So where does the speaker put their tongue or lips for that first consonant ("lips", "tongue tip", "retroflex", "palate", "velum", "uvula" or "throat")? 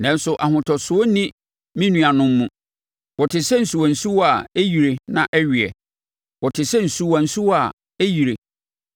tongue tip